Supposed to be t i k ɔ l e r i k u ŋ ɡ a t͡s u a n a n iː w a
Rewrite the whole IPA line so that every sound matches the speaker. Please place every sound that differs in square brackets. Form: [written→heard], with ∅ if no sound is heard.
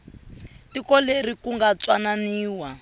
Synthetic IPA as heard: t i k ɔ l e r i k u ŋ ɡ a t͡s [u→w] a n a n iː w a